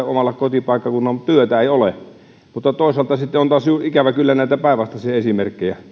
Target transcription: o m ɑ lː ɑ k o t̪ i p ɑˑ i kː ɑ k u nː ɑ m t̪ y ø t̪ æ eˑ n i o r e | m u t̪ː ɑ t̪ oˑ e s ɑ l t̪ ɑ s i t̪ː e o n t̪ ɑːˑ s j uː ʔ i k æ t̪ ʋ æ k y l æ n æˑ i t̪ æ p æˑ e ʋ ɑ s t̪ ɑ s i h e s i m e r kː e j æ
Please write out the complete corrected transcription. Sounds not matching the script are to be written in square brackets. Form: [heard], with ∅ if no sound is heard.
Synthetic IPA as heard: o m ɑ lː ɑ k o t̪ i p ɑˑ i kː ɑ k u nː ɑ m t̪ y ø t̪ æ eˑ [∅] i o [l] e | m u t̪ː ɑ t̪ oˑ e s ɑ l t̪ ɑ s i t̪ː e o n t̪ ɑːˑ s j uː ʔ i k æ [∅] ʋ æ k y [lː] æ n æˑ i t̪ æ p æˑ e ʋ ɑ s t̪ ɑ s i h e s i m e r kː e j æ